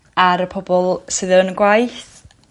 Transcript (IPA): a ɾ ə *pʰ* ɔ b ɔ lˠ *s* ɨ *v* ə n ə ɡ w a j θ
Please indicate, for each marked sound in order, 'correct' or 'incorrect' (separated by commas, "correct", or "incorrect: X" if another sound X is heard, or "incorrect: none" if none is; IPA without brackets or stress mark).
correct, correct, incorrect: ð